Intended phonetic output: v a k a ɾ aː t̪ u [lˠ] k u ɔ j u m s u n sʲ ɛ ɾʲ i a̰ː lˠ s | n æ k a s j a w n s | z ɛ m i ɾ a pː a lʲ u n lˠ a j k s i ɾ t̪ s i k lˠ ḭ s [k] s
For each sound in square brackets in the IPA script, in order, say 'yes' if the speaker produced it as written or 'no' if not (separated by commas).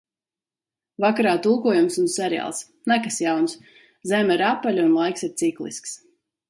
yes, yes